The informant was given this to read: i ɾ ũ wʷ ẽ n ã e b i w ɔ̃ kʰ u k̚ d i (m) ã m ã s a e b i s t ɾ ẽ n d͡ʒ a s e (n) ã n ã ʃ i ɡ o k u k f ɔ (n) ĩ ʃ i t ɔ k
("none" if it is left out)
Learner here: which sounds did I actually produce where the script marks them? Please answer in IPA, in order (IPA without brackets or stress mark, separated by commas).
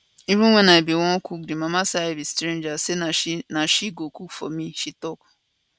m, n, m